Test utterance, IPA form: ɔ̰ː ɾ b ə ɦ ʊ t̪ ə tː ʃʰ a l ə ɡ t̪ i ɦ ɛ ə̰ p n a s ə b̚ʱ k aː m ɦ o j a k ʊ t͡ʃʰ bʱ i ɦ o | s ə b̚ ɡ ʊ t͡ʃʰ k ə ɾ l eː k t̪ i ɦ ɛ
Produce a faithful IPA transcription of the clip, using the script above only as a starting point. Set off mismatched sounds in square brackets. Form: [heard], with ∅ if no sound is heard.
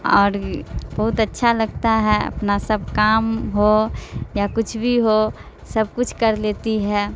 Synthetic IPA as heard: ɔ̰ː ɾ b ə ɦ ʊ t̪ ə tː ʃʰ a l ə ɡ t̪ [a] ɦ ɛ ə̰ p n a s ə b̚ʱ k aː m ɦ o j a k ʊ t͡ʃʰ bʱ i ɦ o | s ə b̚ [k] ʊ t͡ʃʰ k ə ɾ l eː [∅] t̪ i ɦ ɛ